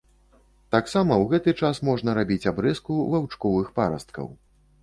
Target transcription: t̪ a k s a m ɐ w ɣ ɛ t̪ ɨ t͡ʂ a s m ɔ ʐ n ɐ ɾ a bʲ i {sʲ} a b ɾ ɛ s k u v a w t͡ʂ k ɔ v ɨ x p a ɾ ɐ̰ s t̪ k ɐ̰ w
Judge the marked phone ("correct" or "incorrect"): incorrect